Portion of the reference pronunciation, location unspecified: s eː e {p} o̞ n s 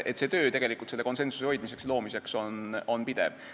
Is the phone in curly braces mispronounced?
yes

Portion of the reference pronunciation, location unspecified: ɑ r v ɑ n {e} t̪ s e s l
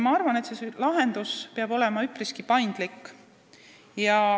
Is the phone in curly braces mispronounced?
no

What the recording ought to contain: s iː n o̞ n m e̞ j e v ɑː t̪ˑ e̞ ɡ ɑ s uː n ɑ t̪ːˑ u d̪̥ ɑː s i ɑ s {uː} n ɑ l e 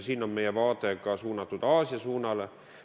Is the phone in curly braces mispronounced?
no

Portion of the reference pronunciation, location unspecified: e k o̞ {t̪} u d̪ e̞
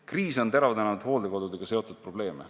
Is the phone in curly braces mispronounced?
yes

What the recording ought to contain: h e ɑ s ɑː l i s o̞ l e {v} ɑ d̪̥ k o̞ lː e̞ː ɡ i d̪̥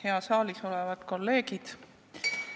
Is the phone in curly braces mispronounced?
no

